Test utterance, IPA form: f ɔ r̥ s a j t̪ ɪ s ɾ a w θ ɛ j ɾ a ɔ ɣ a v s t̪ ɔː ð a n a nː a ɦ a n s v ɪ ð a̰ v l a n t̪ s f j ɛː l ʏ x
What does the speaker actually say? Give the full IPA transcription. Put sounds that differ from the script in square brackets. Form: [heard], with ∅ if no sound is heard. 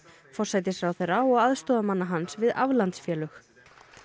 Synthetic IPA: f ɔ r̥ s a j t̪ ɪ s ɾ a w θ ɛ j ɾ a ɔ ɣ a [ð] s t̪ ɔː ð a [m] a nː a ɦ a n s v ɪ ð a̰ v l a n t̪ s f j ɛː l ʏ x